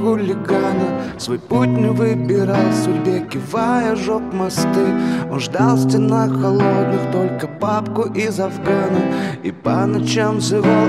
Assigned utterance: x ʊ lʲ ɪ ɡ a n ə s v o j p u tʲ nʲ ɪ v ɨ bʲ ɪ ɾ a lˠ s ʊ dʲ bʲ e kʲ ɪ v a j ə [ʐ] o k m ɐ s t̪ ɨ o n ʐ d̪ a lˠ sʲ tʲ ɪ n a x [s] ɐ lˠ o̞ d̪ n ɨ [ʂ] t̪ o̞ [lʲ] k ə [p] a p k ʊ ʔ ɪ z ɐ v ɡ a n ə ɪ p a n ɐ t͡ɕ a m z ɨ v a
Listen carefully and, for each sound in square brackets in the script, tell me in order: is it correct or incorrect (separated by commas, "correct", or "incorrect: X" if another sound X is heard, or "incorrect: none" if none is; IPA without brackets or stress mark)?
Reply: correct, incorrect: x, incorrect: x, correct, correct